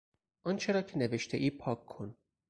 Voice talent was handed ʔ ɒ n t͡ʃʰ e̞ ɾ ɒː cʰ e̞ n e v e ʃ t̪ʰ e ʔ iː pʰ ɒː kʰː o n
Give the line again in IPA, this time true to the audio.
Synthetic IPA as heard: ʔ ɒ n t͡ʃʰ e̞ ɾ ɒː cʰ e̞ n e v e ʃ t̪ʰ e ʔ iː pʰ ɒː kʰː o n